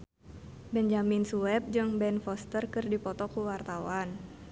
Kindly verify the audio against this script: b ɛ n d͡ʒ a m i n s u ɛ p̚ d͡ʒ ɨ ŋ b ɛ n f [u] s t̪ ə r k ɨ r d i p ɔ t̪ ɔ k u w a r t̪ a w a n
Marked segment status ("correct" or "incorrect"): incorrect